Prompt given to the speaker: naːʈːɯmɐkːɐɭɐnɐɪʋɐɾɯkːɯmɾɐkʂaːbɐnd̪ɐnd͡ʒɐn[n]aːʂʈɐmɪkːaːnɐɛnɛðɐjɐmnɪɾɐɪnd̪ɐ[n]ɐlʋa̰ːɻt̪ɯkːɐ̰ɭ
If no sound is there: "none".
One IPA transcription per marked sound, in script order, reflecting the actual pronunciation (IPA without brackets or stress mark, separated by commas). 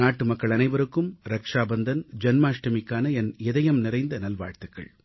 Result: m, n